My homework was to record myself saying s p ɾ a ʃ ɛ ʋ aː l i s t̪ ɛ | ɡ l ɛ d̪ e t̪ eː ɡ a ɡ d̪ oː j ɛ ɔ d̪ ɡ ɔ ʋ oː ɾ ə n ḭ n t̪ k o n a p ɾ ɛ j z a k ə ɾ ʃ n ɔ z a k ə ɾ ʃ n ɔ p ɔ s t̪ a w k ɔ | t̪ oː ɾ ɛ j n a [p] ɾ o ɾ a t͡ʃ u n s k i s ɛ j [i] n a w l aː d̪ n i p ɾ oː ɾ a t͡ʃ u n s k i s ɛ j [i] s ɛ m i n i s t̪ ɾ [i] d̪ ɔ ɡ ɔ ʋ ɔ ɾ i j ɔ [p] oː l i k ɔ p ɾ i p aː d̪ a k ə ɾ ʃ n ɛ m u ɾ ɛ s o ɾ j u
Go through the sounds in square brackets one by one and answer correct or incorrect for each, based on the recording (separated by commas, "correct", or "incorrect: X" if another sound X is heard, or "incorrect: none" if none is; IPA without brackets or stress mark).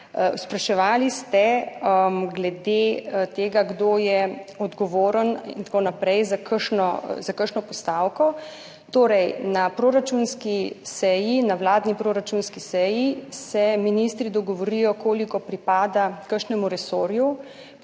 correct, correct, correct, correct, incorrect: k